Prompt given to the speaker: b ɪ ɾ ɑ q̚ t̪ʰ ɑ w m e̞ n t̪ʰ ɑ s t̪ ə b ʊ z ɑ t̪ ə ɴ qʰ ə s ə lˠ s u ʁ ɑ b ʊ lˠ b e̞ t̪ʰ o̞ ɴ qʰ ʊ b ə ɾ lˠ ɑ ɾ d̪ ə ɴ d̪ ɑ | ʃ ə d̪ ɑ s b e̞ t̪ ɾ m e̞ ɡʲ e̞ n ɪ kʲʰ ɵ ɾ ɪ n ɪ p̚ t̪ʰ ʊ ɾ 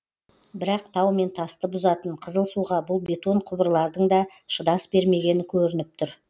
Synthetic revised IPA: b ɪ ɾ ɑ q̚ t̪ʰ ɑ w m e̞ n t̪ʰ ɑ s t̪ ə b ʊ z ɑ t̪ ə ɴ qʰ ə z ə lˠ s u ʁ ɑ b ʊ lˠ b e̞ t̪ o̞ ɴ qʰ ʊ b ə ɾ lˠ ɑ ɾ d̪ ə ɴ d̪ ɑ | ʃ ə d̪ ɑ s b e̞ ɾ m e̞ ɡʲ e̞ n ɪ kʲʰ ɵ ɾ ɪ n ɪ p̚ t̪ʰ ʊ ɾ